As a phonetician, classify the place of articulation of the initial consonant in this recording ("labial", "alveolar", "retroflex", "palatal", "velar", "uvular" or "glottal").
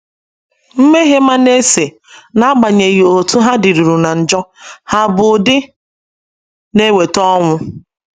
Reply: labial